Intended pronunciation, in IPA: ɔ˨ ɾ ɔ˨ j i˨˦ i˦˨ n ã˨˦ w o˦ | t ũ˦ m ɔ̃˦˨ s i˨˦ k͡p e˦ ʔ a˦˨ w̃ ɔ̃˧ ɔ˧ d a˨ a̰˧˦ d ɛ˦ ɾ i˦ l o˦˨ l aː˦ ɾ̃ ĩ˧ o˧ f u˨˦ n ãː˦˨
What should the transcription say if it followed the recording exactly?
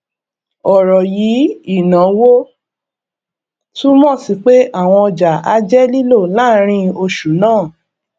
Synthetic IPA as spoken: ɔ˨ ɾ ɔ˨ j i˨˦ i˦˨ n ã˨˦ w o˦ | t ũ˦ m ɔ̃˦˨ s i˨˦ k͡p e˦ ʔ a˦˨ w̃ ɔ̃˧ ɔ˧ d͡ʒ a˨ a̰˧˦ d͡ʒ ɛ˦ l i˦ l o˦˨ l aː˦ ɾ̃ ĩ˧ o˧ ʃ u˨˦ n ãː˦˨